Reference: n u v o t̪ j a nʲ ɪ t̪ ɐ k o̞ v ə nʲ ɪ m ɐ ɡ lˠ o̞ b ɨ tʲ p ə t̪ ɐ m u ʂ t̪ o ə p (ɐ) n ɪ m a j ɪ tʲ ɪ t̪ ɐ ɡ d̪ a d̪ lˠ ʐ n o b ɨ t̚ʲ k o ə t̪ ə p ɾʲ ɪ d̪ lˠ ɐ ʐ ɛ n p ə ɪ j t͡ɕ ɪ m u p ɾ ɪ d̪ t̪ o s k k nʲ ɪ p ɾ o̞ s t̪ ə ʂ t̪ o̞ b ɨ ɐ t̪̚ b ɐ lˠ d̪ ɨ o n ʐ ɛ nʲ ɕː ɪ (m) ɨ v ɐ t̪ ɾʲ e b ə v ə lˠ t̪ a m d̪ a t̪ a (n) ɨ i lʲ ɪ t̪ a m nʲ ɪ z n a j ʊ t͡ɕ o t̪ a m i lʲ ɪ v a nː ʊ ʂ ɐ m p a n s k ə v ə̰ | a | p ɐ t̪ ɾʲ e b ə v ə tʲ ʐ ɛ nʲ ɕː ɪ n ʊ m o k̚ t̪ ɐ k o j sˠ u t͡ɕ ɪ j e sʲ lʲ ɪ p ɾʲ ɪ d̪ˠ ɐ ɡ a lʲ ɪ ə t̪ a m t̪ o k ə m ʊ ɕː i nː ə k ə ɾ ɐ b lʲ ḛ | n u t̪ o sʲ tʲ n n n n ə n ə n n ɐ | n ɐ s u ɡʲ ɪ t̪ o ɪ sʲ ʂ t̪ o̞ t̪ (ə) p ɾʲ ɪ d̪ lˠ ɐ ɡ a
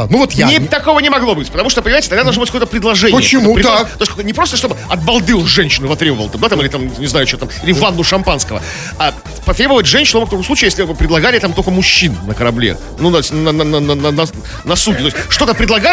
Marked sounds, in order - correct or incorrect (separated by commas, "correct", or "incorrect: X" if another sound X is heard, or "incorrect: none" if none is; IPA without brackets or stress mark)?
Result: incorrect: ə, incorrect: n, incorrect: m, correct